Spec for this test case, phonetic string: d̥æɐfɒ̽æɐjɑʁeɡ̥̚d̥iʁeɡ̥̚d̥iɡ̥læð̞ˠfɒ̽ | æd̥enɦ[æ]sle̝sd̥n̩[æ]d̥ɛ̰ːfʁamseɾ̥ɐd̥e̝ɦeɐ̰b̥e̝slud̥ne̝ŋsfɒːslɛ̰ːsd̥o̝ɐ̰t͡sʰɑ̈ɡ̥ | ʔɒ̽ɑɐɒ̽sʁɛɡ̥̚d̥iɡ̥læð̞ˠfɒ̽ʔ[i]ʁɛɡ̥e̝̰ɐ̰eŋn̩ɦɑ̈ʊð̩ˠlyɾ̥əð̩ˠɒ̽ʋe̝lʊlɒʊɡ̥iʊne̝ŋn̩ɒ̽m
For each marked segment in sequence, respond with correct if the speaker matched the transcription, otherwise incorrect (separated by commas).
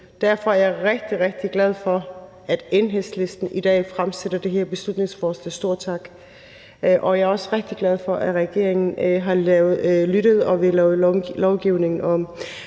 incorrect, incorrect, incorrect